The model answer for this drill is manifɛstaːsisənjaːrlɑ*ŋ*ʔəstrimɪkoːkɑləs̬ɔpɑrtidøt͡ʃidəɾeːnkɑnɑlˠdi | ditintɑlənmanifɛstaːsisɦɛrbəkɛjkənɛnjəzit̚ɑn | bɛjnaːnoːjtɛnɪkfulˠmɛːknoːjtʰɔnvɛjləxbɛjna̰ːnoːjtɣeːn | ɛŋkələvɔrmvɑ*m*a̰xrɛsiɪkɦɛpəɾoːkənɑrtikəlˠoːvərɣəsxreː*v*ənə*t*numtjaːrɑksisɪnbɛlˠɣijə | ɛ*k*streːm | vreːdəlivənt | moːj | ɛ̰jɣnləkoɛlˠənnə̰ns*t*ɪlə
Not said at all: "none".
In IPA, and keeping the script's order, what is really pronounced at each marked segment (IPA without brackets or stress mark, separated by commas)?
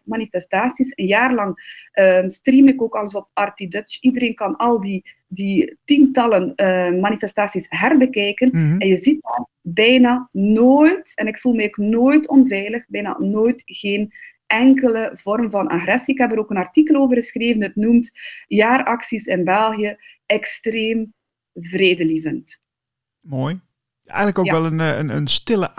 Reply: ŋ, n, v, t, k, t